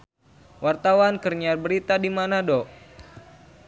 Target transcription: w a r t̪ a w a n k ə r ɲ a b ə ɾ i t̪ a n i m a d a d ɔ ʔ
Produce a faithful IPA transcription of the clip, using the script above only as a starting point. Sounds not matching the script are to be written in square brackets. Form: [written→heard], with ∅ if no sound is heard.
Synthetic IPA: w a r t̪ a w a n k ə r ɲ a b ə ɾ i t̪ a [n→d] i m a [d→n] a d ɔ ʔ